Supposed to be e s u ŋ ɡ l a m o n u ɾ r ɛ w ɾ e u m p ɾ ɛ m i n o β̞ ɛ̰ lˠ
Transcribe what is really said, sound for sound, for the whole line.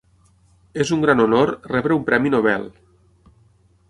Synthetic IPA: e z u ŋ ɡ ɾ a n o n o ɾ r ɛ β ɾ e u m p ɾ ɛ m i n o β̞ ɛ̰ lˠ